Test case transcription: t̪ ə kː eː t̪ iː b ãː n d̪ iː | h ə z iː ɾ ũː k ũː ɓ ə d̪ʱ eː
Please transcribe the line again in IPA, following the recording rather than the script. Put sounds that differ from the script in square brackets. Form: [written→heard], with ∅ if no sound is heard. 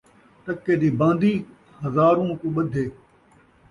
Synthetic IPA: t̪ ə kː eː [t̪→d̪] iː b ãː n d̪ iː | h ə z [iː→aː] ɾ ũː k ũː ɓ ə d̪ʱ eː